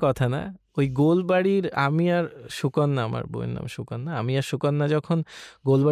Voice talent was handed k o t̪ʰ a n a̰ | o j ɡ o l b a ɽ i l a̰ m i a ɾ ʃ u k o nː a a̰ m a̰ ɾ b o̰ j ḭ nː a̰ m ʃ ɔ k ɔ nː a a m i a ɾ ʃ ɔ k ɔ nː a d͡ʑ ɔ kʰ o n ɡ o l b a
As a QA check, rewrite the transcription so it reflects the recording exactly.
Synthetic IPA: k ɔ t̪ʰ a n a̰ | o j ɡ o l b a ɽ i ɾ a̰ m i a ɾ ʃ u k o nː a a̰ m a̰ ɾ b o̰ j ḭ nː a̰ m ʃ u k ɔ nː a a m i a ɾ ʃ u k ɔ nː a d͡ʑ ɔ kʰ o n ɡ o l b a